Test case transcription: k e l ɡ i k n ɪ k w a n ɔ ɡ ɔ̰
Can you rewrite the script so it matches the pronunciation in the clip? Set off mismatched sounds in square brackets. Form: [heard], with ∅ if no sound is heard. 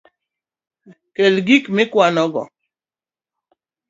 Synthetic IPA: k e l ɡ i k [m] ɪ k w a n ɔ ɡ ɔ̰